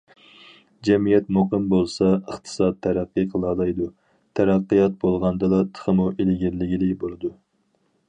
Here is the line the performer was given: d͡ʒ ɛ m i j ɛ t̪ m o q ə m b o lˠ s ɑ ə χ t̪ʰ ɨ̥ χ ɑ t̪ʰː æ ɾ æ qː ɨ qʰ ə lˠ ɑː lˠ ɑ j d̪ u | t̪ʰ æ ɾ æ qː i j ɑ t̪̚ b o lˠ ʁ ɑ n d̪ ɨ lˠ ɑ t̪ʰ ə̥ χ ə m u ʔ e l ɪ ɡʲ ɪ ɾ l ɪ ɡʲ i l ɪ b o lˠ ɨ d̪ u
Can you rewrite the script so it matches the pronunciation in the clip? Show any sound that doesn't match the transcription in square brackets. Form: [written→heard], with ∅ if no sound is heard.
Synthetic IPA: d͡ʒ ɛ m i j ɛ t̪ m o q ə m b o lˠ s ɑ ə χ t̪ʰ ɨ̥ [χ→s] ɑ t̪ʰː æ ɾ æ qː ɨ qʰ ə lˠ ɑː lˠ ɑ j d̪ u | t̪ʰ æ ɾ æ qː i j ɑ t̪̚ b o lˠ ʁ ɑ n d̪ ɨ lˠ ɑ t̪ʰ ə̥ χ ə m u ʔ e l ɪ ɡʲ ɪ ɾ l ɪ ɡʲ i l ɪ b o lˠ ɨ d̪ u